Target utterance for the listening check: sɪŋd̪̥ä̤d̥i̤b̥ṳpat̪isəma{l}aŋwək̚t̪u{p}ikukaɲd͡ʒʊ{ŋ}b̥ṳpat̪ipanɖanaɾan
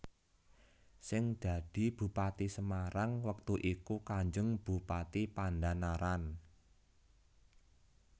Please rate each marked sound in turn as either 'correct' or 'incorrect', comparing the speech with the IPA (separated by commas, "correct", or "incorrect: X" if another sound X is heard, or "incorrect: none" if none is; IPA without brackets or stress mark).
incorrect: ɾ, incorrect: ʔ, correct